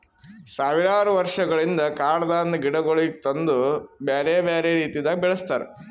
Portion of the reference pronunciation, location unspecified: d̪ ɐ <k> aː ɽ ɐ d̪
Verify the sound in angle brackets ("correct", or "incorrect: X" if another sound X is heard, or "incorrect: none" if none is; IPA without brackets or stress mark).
correct